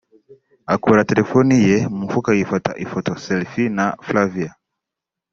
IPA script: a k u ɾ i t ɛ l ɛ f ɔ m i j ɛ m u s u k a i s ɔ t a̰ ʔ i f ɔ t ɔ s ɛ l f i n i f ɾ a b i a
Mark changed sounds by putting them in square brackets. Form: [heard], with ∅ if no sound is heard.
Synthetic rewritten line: a k u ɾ [a] t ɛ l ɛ f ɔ [n] i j ɛ m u [f] u k a i [f] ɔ t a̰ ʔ i f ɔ t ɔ s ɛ l f i n [a] f [l] a [v] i a